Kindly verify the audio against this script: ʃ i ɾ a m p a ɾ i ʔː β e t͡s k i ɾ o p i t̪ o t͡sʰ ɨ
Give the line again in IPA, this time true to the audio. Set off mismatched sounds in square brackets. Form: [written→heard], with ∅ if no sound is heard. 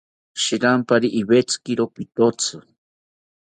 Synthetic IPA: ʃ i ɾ a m p a ɾ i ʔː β e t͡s k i ɾ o p i t̪ o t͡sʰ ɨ